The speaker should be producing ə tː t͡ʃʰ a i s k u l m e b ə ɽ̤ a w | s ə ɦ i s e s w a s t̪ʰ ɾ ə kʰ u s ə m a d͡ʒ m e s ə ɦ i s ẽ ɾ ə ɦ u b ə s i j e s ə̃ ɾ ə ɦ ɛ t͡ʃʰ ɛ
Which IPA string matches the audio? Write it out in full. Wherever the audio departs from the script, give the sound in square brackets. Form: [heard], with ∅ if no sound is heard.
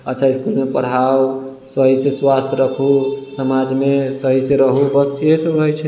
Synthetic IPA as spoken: ə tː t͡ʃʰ a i s k u l m e [p] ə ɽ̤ a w | s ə ɦ i s e s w a s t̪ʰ ɾ ə kʰ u s ə m a d͡ʒ m e s ə ɦ i s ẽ ɾ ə ɦ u b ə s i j e s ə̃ ɾ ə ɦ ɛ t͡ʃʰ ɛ